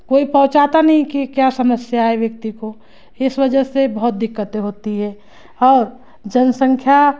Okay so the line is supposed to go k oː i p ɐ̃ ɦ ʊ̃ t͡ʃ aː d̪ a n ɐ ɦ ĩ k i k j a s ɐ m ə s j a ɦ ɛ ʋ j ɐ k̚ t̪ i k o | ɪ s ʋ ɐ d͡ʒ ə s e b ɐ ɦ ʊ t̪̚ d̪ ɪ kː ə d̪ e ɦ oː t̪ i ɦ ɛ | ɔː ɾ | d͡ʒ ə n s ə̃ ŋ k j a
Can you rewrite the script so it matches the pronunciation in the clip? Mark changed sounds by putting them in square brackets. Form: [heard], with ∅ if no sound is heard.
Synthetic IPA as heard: k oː i p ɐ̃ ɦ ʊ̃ t͡ʃ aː [t̪] a n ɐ ɦ ĩ k i k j a s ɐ m ə s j a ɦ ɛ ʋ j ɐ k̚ t̪ i k o | ɪ s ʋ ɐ d͡ʒ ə s e b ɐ ɦ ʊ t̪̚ d̪ ɪ kː ə [t̪] e ɦ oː t̪ i ɦ ɛ | ɔː ɾ | d͡ʒ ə n s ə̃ ŋ [kʰ] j a